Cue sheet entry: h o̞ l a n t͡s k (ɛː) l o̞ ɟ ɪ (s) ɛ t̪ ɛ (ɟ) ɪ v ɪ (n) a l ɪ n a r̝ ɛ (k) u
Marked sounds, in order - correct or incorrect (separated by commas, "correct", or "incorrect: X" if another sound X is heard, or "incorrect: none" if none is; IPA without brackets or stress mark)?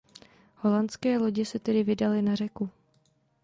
correct, correct, incorrect: d, incorrect: d, correct